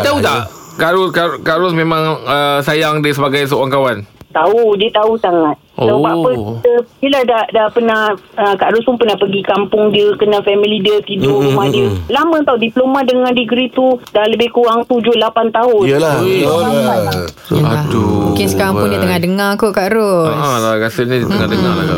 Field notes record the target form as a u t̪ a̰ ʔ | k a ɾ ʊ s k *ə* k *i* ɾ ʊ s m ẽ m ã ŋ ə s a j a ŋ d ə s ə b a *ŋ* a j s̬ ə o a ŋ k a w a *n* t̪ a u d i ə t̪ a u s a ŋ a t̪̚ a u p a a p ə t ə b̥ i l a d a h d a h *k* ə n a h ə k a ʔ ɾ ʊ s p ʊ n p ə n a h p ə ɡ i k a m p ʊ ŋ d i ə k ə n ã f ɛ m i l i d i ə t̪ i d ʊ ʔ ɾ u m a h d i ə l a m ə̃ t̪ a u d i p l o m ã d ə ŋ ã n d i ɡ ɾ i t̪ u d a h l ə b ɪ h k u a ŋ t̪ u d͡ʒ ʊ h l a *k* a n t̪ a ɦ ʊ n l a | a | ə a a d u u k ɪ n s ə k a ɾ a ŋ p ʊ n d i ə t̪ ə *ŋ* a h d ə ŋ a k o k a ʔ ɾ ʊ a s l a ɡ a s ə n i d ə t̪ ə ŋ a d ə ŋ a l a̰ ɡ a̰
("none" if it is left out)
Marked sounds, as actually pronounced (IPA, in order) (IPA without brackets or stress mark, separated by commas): a, a, ɡ, n, p, p, ŋ